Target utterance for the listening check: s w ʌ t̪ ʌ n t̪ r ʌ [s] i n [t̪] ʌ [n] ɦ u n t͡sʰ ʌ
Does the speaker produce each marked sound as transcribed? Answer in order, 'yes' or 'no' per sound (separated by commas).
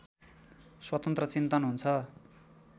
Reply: no, yes, yes